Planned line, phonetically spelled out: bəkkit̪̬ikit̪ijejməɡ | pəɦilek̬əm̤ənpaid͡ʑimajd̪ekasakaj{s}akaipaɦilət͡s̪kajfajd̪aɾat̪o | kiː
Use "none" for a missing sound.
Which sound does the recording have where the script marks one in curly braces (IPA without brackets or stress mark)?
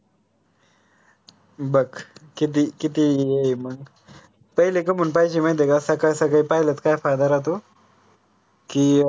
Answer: s